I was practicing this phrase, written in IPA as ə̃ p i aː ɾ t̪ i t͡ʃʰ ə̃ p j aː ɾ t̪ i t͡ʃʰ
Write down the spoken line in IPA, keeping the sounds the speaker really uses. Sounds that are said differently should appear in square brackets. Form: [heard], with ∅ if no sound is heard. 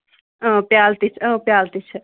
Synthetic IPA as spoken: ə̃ p [j] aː [l] t̪ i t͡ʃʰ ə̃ p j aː [l] t̪ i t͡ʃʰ